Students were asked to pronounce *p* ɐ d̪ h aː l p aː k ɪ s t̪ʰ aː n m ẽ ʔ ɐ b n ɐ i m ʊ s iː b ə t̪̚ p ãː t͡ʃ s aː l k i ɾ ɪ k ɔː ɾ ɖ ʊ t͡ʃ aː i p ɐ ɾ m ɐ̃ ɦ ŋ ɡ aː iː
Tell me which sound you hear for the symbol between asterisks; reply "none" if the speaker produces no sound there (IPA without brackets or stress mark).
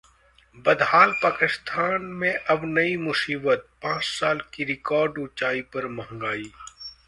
b